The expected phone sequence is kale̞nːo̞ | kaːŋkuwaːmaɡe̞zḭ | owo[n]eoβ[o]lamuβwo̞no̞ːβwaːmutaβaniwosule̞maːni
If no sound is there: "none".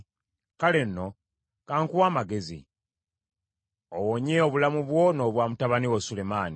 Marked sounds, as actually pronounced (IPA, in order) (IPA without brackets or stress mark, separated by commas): ɲ, u